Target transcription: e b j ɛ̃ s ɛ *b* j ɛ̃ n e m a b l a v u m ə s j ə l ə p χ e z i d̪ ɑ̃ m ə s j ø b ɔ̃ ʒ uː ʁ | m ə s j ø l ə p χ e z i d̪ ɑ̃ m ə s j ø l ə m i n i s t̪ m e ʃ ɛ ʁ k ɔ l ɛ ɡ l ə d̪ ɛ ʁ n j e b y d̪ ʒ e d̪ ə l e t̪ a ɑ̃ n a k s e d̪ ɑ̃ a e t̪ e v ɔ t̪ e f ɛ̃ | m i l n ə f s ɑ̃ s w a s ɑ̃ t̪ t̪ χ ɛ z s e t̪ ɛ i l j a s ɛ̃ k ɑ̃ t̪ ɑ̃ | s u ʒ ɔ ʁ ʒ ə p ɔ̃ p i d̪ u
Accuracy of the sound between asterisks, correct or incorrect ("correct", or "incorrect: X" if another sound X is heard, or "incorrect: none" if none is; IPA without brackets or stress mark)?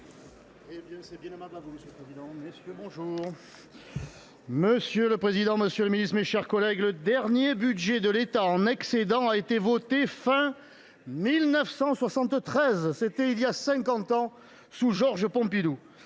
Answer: correct